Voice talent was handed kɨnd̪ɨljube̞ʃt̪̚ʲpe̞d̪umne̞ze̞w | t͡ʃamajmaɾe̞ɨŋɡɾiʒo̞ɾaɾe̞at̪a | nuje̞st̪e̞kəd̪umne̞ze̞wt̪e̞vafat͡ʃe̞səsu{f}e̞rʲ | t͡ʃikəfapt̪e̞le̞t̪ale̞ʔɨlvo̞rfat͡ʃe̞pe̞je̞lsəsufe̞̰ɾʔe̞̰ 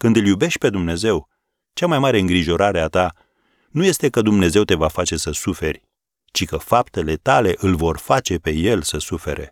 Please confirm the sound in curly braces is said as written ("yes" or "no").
yes